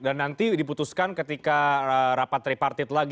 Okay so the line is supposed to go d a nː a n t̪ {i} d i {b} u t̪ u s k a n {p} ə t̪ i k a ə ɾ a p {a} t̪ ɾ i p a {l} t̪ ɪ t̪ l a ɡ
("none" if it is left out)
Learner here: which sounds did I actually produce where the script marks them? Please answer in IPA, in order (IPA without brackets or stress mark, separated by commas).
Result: i, p, k, a, r